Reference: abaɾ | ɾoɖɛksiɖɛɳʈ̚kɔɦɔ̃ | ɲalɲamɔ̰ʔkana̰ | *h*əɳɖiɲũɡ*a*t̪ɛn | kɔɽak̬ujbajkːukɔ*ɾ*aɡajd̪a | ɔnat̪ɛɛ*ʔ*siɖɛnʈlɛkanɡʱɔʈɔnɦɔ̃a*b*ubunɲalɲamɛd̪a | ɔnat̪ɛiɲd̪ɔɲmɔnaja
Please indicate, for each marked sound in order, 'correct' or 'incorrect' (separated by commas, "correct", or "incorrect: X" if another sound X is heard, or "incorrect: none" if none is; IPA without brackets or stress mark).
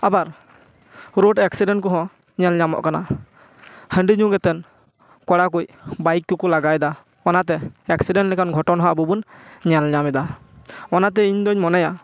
correct, incorrect: ɛ, incorrect: l, incorrect: k, correct